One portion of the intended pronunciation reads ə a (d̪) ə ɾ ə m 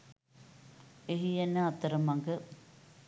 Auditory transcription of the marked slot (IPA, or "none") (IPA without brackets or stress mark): t̪